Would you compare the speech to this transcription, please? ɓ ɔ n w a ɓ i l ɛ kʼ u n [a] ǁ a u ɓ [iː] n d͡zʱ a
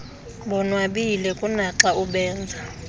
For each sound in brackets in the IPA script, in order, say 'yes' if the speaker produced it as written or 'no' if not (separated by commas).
yes, no